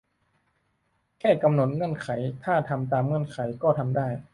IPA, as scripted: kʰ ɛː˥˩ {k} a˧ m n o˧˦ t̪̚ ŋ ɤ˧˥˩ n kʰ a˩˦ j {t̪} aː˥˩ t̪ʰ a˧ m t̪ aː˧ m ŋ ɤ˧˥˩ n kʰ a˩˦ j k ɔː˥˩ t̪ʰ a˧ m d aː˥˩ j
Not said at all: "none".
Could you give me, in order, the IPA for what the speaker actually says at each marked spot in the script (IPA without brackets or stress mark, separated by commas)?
k, t̪ʰ